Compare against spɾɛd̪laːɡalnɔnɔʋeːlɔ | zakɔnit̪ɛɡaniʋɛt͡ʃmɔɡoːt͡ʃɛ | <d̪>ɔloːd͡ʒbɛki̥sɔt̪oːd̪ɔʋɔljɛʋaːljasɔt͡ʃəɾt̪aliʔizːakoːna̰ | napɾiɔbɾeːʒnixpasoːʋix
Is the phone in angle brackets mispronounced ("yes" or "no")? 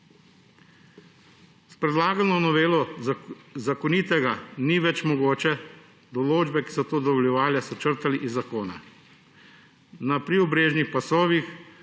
no